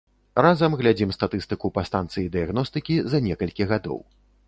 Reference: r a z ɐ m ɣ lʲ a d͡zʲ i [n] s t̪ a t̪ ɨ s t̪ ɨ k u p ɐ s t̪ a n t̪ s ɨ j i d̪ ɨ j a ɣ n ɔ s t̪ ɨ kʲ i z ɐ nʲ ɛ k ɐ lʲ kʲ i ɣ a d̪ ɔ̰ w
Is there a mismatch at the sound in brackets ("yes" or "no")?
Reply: yes